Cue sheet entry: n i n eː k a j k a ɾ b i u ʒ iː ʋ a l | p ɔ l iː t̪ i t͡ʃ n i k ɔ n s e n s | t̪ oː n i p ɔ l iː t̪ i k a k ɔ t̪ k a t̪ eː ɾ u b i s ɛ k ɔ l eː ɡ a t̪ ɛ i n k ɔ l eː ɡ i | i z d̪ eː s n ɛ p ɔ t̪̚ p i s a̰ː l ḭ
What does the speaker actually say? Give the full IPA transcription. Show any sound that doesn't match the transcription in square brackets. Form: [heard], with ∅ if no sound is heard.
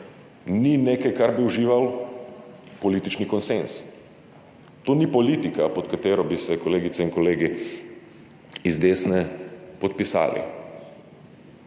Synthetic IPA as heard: n i n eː k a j k a ɾ b i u ʒ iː ʋ a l | p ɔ l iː t̪ i t͡ʃ n i k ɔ n s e n s | t̪ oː n i p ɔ l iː t̪ i k a [p] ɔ t̪ k a t̪ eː ɾ [ɔ] b i s ɛ k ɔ l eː ɡ [i] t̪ ɛ i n k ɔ l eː ɡ i | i z d̪ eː s n ɛ p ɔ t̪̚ p i s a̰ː l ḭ